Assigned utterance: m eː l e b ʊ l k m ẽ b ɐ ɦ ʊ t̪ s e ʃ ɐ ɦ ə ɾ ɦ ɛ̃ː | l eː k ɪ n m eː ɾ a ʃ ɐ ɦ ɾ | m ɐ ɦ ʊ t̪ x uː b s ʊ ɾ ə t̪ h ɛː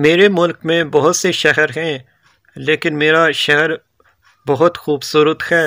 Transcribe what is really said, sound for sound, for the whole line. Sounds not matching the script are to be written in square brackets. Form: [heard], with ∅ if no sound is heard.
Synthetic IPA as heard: m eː [ɾ] e [m] ʊ l k m ẽ b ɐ ɦ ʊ t̪ s e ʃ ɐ ɦ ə ɾ ɦ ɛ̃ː | l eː k ɪ n m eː ɾ a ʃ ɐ ɦ ɾ | [b] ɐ ɦ ʊ t̪ x uː b s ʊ ɾ ə t̪ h ɛː